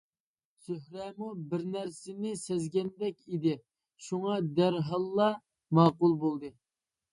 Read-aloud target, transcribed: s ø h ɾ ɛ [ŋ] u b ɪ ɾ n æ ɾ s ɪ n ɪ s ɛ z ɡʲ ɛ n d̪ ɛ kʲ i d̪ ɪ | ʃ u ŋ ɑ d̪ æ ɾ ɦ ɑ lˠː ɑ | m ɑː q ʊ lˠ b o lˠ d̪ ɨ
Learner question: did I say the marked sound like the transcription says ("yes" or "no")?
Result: no